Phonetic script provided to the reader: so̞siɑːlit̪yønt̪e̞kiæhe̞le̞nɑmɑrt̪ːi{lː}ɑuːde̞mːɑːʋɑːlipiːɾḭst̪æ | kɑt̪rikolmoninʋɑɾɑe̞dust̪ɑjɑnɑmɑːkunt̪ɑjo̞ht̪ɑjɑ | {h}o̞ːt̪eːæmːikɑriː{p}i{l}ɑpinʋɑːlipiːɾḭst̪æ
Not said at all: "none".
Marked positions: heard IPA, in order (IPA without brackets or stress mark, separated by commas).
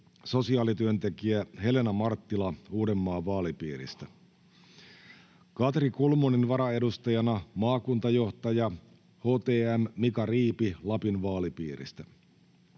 l, h, p, l